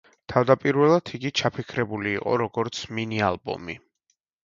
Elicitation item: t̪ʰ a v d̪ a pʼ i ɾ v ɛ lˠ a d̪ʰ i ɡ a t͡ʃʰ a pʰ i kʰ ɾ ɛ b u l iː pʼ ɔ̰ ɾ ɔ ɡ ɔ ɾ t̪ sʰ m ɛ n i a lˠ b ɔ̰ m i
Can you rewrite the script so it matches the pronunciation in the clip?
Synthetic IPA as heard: t̪ʰ a v d̪ a pʼ i ɾ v ɛ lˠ a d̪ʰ i ɡ i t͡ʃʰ a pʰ i kʰ ɾ ɛ b u l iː qʼ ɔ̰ ɾ ɔ ɡ ɔ ɾ t̪ sʰ m i n i a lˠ b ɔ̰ m i